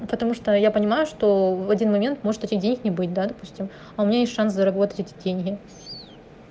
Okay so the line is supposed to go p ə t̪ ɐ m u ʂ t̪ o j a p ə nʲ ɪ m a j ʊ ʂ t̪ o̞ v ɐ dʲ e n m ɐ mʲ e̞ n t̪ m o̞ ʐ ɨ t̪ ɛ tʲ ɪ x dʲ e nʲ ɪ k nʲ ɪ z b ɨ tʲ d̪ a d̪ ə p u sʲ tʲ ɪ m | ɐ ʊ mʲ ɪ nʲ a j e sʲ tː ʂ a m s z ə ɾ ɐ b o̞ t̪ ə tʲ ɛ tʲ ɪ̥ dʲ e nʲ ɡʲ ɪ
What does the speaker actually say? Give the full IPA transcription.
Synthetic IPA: p ə t̪ ɐ m u ʂ t̪ o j a p ə nʲ ɪ m a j ʊ ʂ t̪ o̞ v ɐ dʲ i n m ɐ mʲ e̞ n t̪ m o̞ ʐ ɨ t̪ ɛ tʲ ɪ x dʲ e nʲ ɪ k nʲ ɪ b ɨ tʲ d̪ a d̪ ɐ p u sʲ tʲ ɪ m | ɐ ʊ mʲ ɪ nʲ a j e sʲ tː ʂ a n s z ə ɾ ɐ b o̞ t̪ ə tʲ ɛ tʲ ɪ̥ dʲ e nʲ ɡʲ ɪ